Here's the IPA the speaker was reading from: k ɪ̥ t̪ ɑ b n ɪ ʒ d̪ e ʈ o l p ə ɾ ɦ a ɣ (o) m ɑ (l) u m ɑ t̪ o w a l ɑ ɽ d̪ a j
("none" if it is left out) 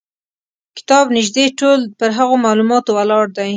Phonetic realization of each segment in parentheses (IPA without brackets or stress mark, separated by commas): o, l